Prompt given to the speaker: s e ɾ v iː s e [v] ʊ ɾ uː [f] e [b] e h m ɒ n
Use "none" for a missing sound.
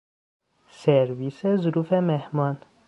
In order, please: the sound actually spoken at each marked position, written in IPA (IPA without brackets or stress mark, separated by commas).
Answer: z, f, m